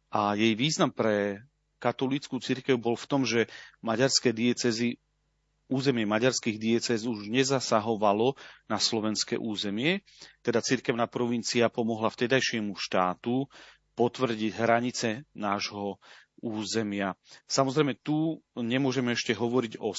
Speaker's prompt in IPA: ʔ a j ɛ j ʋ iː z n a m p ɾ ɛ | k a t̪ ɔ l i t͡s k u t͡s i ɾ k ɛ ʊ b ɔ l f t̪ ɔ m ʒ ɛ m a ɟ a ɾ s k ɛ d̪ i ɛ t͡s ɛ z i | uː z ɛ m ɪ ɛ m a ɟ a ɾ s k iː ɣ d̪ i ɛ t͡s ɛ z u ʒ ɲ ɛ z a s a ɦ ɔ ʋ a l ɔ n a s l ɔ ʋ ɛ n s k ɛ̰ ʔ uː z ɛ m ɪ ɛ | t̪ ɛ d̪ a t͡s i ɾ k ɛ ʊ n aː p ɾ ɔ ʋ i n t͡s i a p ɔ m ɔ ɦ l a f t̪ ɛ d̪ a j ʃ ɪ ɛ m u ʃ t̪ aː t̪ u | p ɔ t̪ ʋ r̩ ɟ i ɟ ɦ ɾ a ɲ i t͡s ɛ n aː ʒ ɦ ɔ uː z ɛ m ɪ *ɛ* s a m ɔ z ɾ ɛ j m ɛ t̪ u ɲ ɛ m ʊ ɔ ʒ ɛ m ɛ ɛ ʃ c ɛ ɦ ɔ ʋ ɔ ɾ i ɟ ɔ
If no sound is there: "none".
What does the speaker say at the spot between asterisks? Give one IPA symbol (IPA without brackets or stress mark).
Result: a